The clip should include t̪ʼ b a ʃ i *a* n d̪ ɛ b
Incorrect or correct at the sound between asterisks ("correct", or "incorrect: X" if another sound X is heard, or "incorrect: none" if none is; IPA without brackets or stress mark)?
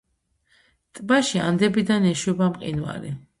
correct